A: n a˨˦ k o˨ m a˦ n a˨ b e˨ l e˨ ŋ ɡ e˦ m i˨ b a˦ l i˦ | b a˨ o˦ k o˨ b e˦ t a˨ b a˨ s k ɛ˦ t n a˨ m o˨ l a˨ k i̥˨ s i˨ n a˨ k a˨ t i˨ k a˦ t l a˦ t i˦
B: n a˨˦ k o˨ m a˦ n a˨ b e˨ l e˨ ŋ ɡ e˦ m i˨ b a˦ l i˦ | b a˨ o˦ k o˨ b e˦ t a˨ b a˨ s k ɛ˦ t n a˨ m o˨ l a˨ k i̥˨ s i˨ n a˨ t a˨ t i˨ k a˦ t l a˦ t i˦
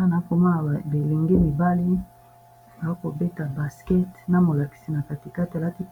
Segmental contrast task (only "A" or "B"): A